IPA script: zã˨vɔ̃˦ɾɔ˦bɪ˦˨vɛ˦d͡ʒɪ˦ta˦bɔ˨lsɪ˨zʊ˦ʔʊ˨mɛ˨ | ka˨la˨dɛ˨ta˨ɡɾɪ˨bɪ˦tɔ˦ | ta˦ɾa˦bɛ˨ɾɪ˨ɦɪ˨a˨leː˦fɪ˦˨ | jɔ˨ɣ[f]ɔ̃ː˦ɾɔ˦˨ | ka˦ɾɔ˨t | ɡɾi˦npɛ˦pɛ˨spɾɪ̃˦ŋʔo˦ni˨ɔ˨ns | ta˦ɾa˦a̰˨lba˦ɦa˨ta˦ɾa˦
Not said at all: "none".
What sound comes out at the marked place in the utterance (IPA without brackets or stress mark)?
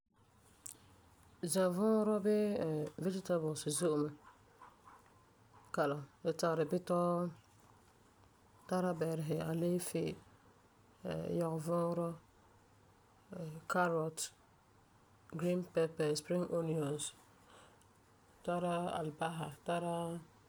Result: v